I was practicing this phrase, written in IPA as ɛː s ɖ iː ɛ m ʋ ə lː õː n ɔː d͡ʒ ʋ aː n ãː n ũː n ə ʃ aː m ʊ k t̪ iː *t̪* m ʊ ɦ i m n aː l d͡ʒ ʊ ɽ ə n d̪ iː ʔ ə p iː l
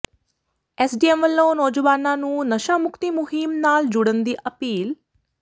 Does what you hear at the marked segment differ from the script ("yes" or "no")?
yes